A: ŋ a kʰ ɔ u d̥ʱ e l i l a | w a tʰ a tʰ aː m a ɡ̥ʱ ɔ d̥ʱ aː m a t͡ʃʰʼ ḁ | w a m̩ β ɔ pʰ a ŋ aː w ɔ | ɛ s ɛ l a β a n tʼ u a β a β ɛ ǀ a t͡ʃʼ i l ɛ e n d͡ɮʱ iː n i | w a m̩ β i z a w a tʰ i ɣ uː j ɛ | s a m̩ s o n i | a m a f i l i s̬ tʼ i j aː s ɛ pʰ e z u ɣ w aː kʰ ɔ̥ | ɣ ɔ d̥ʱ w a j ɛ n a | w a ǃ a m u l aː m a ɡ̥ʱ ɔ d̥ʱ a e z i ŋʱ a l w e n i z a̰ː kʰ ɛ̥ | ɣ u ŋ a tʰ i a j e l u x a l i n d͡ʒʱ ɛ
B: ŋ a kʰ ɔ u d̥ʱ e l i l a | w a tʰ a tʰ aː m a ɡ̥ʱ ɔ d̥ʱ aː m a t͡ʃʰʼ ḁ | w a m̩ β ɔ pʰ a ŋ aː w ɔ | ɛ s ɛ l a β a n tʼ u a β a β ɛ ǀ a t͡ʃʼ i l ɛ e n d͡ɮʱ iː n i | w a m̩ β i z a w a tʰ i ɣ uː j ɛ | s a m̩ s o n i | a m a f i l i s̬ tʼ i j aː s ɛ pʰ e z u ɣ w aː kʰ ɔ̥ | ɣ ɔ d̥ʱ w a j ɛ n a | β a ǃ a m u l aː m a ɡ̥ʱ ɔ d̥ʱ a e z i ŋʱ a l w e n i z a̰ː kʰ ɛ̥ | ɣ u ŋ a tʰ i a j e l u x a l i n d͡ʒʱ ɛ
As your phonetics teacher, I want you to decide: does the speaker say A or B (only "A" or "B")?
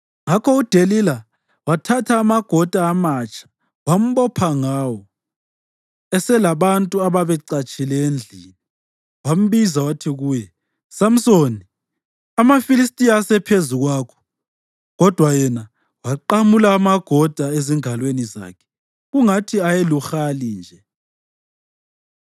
A